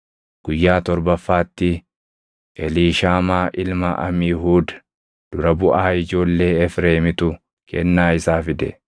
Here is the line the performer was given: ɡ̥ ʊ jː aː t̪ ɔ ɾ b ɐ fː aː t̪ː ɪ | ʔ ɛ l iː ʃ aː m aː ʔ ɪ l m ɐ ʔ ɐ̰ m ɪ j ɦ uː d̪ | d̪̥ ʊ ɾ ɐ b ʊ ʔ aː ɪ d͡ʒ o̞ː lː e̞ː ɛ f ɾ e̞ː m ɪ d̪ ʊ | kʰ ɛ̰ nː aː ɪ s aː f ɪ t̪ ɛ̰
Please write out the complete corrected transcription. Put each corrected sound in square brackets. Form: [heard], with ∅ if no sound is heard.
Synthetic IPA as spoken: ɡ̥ ʊ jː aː t̪ ɔ ɾ b ɐ fː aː t̪ː ɪ | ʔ ɛ l iː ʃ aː m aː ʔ ɪ l m ɐ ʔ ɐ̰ m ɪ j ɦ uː d̪ | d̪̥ ʊ ɾ ɐ b ʊ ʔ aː ɪ d͡ʒ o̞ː lː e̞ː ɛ f ɾ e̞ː m ɪ [t̪] ʊ | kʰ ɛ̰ nː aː ɪ s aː f ɪ [d̪] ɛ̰